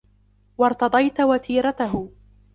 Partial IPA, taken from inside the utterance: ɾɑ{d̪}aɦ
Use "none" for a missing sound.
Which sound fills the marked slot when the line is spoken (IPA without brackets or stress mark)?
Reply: t̪